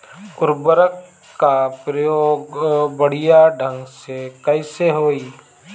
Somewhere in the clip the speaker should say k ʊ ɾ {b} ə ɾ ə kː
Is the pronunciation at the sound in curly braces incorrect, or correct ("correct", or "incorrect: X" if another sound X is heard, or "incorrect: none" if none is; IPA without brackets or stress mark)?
correct